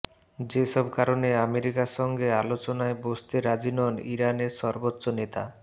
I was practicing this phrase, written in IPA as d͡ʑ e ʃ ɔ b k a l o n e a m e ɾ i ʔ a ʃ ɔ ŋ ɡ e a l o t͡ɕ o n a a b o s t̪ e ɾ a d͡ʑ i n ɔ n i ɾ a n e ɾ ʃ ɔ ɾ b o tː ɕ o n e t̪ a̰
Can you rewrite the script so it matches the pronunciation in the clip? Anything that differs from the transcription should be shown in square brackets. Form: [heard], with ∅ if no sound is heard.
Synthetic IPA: d͡ʑ e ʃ ɔ b k a [ɾ] o n e a m e ɾ i [k] a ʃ ɔ ŋ ɡ e a l o t͡ɕ o n a [e] b o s t̪ e ɾ a d͡ʑ i n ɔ n i ɾ a n e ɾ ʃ ɔ ɾ b o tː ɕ o n e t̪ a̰

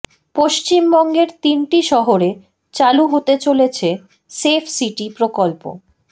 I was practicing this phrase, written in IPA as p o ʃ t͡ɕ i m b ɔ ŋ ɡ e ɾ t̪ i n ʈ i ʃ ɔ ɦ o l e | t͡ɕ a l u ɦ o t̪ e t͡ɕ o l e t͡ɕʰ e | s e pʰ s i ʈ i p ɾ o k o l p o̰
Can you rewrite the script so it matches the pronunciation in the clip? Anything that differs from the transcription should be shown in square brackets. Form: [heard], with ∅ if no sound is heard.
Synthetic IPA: p o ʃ t͡ɕ i m b ɔ ŋ ɡ e ɾ t̪ i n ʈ i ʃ ɔ ɦ o [ɾ] e | t͡ɕ a l u ɦ o t̪ e t͡ɕ o l e t͡ɕʰ e | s e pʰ s i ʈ i p ɾ o k o l p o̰

